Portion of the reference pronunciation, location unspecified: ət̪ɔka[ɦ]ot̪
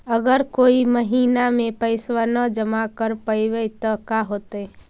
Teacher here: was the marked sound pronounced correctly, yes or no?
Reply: yes